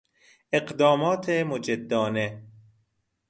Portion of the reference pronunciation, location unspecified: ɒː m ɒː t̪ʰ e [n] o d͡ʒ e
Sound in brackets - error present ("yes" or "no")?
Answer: yes